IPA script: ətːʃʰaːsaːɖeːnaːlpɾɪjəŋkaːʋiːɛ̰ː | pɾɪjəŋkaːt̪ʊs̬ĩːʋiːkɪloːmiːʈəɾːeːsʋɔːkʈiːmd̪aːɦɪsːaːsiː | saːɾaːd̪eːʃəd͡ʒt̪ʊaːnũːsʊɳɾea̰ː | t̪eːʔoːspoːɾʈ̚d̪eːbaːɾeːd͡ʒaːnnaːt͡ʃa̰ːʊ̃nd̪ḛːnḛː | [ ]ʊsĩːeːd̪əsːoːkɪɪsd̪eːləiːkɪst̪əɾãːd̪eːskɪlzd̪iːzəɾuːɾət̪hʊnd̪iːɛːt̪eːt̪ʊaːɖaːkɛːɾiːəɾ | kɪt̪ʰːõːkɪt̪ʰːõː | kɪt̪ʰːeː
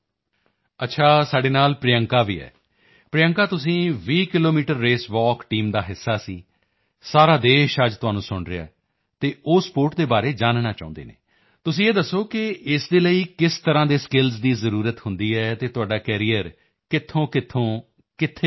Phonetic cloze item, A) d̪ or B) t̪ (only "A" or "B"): B